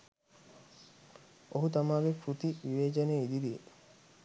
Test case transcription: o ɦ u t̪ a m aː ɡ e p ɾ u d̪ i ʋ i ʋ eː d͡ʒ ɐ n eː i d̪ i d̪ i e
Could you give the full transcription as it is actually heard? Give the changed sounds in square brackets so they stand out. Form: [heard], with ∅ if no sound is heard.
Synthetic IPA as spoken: o ɦ u t̪ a m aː ɡ e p ɾ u [t̪] i ʋ i ʋ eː d͡ʒ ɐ n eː i d̪ i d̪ i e